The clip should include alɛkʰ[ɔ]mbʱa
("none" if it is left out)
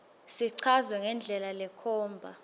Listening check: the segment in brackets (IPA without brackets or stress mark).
ɔː